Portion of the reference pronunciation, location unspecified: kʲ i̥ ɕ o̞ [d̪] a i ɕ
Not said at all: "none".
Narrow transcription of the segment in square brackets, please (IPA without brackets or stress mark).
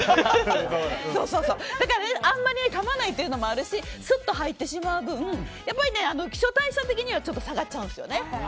t̪